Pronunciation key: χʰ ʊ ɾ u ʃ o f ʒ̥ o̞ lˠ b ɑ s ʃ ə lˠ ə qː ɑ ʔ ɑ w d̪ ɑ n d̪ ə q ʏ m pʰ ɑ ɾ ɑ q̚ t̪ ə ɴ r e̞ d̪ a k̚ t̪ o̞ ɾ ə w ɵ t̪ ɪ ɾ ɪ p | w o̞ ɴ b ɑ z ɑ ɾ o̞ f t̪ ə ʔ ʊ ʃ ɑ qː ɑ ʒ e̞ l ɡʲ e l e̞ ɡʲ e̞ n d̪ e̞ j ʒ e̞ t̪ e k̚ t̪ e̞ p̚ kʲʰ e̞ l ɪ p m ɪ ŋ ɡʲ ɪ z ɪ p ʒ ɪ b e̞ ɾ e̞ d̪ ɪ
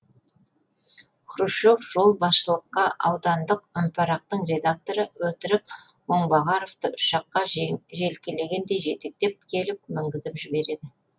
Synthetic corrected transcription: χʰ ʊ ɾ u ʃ o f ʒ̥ o̞ lˠ b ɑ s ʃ ə lˠ ə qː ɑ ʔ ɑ w d̪ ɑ n d̪ ə q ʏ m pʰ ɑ ɾ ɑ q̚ t̪ ə ɴ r e̞ d̪ a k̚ t̪ o̞ ɾ ə w ɵ t̪ ɪ ɾ ɪ p | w o̞ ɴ b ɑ ʁ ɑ ɾ o̞ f t̪ ə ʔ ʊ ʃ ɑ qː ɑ ʒ e̞ l kʲ e l e̞ ɡʲ e̞ n d̪ e̞ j ʒ e̞ t̪ e k̚ t̪ e̞ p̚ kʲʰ e̞ l ɪ p m ɪ ŋ ɡʲ ɪ z ɪ p ʒ ɪ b e̞ ɾ e̞ d̪ ɪ